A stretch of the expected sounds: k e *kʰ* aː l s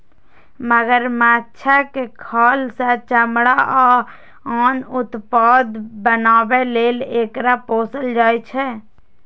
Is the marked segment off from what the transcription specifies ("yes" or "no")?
no